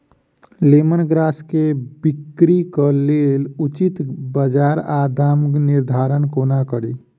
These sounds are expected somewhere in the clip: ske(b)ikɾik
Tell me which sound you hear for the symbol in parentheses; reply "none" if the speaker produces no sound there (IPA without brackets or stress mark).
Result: b